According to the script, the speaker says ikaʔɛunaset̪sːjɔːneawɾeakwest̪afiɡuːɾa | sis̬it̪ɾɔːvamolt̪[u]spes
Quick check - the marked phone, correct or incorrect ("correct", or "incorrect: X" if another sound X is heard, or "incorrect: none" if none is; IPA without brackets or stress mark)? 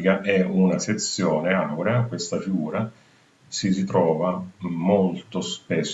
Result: incorrect: o